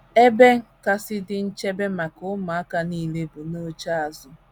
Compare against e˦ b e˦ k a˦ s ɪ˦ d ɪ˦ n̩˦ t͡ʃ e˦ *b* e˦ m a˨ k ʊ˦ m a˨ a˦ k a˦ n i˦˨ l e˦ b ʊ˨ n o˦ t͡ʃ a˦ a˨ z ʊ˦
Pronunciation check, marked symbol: correct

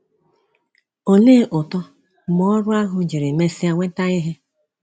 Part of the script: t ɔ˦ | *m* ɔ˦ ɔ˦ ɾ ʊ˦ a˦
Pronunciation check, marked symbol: correct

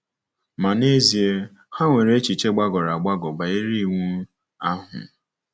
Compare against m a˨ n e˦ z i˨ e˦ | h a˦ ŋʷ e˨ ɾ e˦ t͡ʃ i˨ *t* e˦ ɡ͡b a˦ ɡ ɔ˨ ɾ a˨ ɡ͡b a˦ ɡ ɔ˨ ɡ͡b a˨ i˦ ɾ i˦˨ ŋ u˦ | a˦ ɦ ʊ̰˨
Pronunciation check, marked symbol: incorrect: t͡ʃ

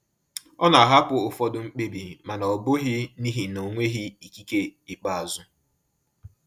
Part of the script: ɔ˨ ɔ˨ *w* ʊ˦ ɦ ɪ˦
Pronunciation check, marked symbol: incorrect: b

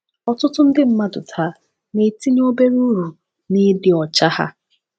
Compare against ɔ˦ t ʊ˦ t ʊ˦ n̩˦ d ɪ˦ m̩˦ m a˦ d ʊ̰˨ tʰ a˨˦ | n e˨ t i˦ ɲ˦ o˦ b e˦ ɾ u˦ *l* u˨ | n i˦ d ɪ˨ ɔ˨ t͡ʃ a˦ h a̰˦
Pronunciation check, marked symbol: incorrect: ɾ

